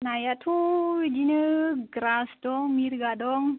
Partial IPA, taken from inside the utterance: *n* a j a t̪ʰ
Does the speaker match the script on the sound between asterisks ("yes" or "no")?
yes